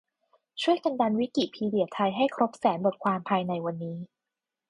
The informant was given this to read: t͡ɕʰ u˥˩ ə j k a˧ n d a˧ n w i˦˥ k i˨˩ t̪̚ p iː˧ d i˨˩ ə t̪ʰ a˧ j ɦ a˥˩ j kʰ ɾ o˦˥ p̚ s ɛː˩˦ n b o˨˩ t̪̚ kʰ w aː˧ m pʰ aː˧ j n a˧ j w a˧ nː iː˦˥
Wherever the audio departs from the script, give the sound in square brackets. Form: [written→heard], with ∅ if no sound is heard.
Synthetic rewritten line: t͡ɕʰ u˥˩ ə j k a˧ n d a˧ n w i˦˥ k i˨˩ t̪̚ [p→pʰ] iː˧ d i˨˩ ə t̪ʰ a˧ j ɦ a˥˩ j kʰ ɾ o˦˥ p̚ s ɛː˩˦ n b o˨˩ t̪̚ kʰ w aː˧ m pʰ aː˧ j n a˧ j w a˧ nː iː˦˥